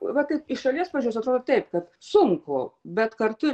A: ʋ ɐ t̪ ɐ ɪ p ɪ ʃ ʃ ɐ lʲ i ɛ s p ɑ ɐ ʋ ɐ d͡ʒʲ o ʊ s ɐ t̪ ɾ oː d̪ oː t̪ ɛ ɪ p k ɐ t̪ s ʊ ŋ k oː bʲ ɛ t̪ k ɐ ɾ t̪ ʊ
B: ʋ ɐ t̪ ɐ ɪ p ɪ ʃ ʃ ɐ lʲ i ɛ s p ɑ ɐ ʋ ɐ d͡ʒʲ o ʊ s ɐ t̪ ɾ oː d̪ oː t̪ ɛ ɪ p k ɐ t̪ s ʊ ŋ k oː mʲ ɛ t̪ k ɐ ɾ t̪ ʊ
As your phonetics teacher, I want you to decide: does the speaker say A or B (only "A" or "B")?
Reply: A